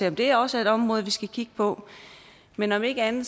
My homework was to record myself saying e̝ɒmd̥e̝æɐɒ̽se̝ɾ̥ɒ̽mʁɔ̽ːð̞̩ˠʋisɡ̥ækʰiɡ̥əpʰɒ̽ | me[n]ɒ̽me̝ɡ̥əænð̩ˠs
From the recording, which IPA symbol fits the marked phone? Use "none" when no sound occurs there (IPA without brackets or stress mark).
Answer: n